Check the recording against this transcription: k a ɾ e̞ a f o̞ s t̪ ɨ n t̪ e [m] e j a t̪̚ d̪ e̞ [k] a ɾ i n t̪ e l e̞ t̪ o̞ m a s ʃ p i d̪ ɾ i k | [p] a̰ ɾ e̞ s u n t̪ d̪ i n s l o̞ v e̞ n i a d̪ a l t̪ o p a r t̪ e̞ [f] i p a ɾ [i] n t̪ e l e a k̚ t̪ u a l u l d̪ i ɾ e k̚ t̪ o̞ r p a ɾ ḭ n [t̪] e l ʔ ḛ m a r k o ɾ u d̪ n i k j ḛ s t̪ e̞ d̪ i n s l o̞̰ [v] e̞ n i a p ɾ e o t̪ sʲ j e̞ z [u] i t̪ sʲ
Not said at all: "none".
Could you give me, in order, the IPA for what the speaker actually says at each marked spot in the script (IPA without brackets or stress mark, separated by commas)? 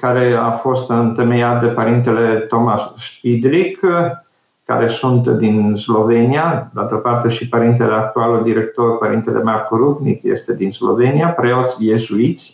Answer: m, p, k, ʃ, i, t̪, v, u